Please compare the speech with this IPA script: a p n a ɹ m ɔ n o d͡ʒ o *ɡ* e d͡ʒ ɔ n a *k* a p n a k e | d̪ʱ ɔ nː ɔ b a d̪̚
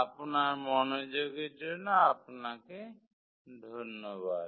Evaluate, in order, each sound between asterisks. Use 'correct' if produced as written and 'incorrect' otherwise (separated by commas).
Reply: correct, incorrect